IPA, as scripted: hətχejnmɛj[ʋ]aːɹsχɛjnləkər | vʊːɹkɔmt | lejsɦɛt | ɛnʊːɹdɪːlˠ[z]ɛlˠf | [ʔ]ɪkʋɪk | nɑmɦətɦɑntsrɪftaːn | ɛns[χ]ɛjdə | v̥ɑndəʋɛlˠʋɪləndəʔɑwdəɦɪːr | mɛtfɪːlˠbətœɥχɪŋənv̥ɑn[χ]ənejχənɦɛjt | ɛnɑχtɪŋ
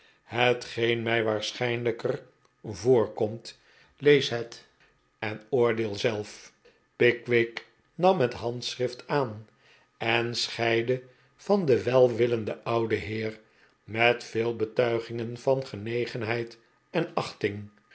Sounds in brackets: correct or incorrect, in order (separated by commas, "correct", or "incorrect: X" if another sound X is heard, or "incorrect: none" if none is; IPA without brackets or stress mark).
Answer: correct, correct, incorrect: p, correct, correct